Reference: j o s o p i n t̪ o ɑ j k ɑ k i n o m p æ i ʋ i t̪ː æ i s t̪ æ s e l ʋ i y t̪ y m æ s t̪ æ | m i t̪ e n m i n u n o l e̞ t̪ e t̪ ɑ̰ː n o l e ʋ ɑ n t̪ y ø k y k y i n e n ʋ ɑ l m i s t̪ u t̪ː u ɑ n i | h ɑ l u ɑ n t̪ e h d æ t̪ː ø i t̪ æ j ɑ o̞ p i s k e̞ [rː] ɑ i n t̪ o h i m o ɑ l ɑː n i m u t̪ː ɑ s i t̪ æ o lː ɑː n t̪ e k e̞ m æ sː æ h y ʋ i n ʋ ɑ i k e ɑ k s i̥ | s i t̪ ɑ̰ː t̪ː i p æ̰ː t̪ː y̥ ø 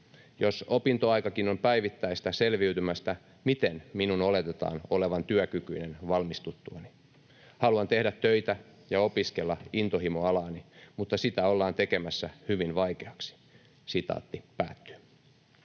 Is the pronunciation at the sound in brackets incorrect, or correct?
incorrect